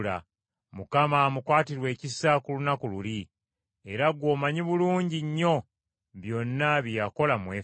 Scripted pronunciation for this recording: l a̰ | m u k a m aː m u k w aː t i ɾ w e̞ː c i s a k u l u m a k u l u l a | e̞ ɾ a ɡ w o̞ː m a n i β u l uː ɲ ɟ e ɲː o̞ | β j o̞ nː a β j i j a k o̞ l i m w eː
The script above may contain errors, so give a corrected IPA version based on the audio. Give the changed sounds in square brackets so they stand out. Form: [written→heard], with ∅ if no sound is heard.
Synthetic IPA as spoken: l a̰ | m u k a m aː m u k w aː t i ɾ w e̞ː c i s a k u l u [m→n] a k u l u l [a→i] | e̞ ɾ a ɡ w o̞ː m a [n→ɲ] i β u l uː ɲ ɟ [e→i] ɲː o̞ | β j o̞ nː a β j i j a k o̞ l [i→a] m w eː